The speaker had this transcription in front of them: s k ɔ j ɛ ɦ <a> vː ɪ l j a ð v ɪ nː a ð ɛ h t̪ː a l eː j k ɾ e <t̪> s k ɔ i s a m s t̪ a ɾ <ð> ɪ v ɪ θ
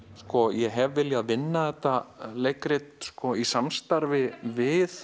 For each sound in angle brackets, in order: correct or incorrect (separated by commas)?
incorrect, correct, incorrect